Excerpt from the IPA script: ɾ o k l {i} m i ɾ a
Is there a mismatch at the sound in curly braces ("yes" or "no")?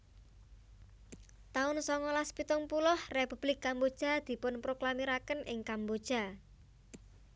yes